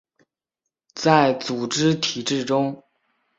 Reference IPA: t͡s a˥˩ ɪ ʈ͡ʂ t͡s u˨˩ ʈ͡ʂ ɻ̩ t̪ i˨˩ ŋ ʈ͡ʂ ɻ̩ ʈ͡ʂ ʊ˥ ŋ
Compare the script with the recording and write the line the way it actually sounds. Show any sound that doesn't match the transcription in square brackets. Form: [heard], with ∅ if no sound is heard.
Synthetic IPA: t͡s a˥˩ ɪ [∅] t͡s u˨˩ ʈ͡ʂ ɻ̩ [t̪ʰ] i˨˩ [∅] ʈ͡ʂ ɻ̩ ʈ͡ʂ ʊ˥ ŋ